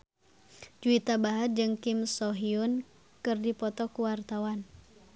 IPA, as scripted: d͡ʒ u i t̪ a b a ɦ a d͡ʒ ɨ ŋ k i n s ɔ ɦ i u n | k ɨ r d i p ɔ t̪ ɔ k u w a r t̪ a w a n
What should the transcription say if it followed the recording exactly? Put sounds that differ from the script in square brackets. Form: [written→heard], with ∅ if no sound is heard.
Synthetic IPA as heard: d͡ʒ u i t̪ a b a ɦ a d͡ʒ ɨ ŋ k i [n→m] s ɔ ɦ i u n | k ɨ r d i p ɔ t̪ ɔ k u w a r t̪ a w a n